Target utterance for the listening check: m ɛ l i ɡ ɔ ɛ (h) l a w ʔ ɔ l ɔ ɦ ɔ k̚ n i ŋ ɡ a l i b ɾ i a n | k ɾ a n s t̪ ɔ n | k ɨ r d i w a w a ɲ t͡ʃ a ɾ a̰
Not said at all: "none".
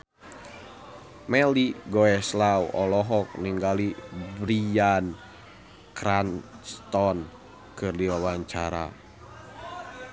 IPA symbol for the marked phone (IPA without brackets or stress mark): s